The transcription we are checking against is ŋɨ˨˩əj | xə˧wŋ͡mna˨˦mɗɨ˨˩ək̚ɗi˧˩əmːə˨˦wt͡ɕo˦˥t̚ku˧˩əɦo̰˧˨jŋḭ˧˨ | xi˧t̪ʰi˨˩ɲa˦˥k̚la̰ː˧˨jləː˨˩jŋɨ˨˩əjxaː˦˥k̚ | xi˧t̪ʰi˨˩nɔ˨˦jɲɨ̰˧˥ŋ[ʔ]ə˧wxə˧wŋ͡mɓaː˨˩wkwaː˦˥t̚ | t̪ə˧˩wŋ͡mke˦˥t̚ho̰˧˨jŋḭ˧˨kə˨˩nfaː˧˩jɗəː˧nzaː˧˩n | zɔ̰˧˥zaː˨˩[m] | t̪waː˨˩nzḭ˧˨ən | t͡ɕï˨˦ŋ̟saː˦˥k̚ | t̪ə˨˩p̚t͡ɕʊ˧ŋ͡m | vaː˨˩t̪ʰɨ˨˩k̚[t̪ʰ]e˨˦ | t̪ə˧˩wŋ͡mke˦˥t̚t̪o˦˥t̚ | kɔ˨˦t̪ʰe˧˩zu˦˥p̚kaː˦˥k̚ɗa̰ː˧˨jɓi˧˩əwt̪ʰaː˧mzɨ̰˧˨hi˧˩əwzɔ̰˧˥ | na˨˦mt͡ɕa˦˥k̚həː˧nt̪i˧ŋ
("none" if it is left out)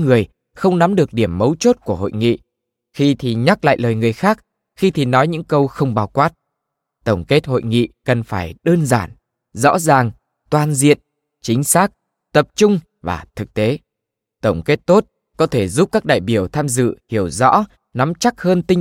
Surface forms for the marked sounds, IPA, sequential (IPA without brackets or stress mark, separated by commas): k, ŋ, t̪